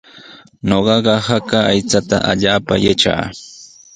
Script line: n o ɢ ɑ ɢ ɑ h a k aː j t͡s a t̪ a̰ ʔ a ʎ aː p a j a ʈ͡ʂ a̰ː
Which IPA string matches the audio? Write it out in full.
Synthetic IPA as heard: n o ɢ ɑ ɢ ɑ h a k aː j t͡s a t̪ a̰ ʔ a ʎ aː p a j a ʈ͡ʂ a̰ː

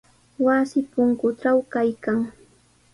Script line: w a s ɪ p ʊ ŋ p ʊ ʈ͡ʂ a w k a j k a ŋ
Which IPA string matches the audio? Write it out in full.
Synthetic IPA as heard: w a s ɪ p ʊ ŋ k ʊ ʈ͡ʂ a w k a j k a ŋ

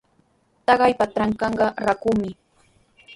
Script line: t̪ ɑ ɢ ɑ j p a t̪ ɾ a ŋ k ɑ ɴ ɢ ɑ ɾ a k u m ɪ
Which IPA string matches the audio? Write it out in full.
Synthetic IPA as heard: t̪ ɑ ɢ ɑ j p a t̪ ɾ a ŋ k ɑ ɴ ɢ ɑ ɾ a k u m ɪ

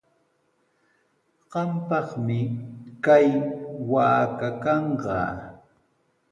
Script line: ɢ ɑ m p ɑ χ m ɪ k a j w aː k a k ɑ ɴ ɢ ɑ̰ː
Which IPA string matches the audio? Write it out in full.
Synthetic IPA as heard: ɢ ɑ m p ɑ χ m ɪ k a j w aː k a k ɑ ɴ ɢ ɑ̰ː

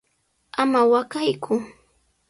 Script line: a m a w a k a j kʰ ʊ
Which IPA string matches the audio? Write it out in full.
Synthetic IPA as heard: a m a w a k a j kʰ ʊ

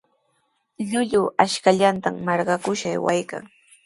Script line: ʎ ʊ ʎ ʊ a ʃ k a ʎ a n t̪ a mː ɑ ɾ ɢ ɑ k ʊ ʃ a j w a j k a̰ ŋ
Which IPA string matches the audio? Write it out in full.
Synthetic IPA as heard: ʎ ʊ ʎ ʊ a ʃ k a ʎ a n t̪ a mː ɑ ɾ ɢ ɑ k ʊ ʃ a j w a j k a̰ ŋ

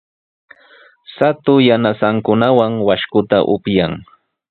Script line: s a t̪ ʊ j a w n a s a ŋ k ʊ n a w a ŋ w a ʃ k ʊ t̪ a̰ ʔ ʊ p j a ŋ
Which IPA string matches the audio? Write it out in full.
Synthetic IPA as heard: s a t̪ ʊ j a n a s a ŋ k ʊ n a w a ŋ w a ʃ k ʊ t̪ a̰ ʔ ʊ p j a ŋ

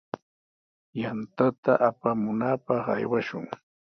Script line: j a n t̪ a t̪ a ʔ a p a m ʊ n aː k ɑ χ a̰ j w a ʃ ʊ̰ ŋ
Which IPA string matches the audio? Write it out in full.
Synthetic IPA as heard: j a n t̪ a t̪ a ʔ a p a m ʊ n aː p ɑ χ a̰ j w a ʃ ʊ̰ ŋ

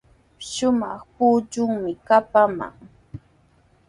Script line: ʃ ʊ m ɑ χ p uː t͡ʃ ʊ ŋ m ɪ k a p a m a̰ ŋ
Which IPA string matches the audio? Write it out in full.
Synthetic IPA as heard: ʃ ʊ m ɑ χ p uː t͡ʃ ʊ ŋ m ɪ k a p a m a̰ ŋ

